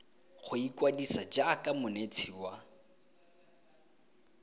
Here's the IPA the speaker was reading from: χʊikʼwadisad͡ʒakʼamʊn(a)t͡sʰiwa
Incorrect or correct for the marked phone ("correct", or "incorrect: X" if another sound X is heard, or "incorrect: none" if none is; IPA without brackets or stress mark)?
incorrect: e